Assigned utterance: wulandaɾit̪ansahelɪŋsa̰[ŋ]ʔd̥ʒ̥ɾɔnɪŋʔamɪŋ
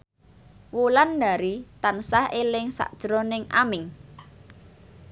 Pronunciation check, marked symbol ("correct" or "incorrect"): incorrect